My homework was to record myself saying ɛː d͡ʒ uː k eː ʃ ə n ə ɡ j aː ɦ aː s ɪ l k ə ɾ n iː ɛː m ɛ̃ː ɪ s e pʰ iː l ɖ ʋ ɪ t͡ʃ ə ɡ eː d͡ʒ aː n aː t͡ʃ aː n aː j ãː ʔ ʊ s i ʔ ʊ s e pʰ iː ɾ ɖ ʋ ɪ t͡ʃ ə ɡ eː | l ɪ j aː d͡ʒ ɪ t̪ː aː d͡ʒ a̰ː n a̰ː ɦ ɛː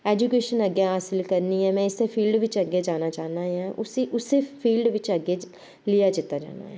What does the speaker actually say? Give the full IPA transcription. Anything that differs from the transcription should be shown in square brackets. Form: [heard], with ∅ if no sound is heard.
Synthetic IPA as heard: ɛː d͡ʒ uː k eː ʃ ə n ə ɡ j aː ɦ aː s ɪ l k ə ɾ n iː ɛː m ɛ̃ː ɪ s e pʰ iː l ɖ ʋ ɪ t͡ʃ ə ɡ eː d͡ʒ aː n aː t͡ʃ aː n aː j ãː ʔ ʊ s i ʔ ʊ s e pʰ iː [l] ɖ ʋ ɪ t͡ʃ ə ɡ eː | l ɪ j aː d͡ʒ ɪ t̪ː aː d͡ʒ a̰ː n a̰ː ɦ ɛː

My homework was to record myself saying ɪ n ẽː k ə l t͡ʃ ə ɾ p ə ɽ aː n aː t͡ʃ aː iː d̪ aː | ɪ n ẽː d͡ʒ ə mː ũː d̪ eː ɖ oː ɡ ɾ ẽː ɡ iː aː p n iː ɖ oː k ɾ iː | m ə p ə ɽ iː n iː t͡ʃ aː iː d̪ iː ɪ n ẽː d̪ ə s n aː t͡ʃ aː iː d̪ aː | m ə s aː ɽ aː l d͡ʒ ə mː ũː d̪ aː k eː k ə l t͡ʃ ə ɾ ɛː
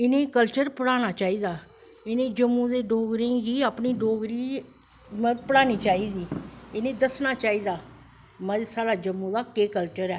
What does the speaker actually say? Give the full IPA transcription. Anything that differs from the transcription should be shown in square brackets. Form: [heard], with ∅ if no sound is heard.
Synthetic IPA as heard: ɪ n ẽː k ə l t͡ʃ ə ɾ p ə ɽ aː n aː t͡ʃ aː iː d̪ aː | ɪ n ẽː d͡ʒ ə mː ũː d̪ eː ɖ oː ɡ ɾ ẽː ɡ iː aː p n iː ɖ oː [ɡ] ɾ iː | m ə p ə ɽ [aː] n iː t͡ʃ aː iː d̪ iː ɪ n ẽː d̪ ə s n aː t͡ʃ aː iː d̪ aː | m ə s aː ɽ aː [∅] d͡ʒ ə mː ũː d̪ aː k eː k ə l t͡ʃ ə ɾ ɛː

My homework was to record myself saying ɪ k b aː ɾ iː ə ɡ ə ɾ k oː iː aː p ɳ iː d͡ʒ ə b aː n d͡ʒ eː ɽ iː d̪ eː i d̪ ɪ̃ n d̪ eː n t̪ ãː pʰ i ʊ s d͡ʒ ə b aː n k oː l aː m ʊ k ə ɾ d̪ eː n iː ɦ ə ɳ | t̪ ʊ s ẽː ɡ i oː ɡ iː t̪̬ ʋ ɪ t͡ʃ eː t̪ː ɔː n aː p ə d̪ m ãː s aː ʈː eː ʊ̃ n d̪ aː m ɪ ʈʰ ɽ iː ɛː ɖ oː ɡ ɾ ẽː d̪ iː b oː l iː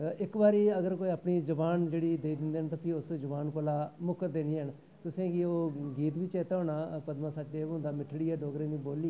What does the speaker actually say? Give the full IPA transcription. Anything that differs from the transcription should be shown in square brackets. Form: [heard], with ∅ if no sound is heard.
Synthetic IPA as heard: ɪ k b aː ɾ iː ə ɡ ə ɾ k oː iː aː p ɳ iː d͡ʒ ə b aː n d͡ʒ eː ɽ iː d̪ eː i d̪ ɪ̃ n d̪ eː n t̪ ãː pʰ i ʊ s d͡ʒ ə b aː n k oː l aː m ʊ k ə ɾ d̪ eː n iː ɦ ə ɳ | t̪ ʊ s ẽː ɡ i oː ɡ iː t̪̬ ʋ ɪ t͡ʃ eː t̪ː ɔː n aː p ə d̪ m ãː s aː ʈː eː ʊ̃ n d̪ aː m ɪ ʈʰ ɽ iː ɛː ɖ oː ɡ ɾ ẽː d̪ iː b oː l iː

